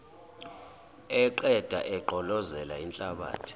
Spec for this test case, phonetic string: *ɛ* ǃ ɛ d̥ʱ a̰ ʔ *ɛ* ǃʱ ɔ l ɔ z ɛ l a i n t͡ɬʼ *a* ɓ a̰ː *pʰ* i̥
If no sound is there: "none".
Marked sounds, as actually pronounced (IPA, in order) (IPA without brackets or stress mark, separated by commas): ɛ, ɛ, a, tʰ